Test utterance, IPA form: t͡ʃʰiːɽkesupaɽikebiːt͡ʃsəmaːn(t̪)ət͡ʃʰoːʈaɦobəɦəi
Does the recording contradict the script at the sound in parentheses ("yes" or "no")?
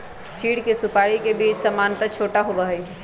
no